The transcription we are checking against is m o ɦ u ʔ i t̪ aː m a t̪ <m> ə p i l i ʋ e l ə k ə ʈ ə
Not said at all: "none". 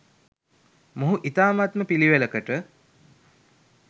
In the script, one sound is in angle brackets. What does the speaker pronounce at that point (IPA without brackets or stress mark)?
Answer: m